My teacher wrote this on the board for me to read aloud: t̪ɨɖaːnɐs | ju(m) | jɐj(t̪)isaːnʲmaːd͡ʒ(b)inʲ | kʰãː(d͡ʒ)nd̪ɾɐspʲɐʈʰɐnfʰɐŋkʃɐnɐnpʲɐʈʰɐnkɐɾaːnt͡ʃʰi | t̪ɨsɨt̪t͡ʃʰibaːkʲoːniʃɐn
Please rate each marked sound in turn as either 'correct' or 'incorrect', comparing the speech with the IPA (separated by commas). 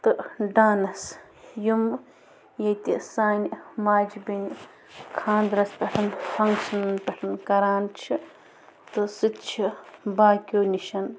correct, correct, correct, incorrect